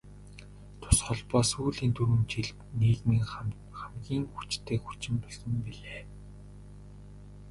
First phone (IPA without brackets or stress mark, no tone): t̪ʰ